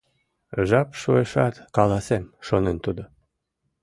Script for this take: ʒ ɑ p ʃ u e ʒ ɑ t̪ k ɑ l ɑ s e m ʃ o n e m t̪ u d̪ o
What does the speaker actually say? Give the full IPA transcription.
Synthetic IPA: ʒ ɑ p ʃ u e ʃ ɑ t̪ k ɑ l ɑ s e m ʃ o n e n t̪ u d̪ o